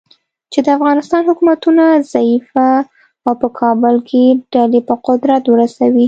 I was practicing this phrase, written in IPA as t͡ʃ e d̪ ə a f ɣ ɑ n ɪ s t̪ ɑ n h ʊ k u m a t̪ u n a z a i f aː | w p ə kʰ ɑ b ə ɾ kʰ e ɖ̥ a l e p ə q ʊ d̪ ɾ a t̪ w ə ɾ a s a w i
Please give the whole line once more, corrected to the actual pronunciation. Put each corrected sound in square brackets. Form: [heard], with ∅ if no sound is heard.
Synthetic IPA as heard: t͡ʃ e d̪ ə a f ɣ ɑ n ɪ s t̪ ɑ n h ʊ k u m a t̪ u n a z a i f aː | w p ə kʰ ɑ b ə [l] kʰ e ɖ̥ a l e p ə q ʊ d̪ ɾ a t̪ w ə ɾ a s a w i